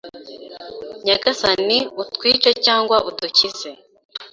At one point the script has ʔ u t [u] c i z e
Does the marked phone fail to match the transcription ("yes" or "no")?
no